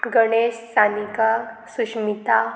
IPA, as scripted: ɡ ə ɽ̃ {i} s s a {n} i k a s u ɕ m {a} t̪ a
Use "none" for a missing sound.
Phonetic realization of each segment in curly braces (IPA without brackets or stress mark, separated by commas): e, n, i